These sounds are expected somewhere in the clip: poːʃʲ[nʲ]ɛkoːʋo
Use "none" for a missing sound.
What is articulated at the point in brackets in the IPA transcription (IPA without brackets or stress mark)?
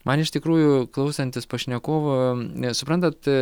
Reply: nʲ